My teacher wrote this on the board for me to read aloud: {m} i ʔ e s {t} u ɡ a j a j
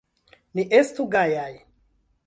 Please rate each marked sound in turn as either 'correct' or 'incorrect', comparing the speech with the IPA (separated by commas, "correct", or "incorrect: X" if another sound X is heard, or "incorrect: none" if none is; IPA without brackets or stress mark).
incorrect: n, correct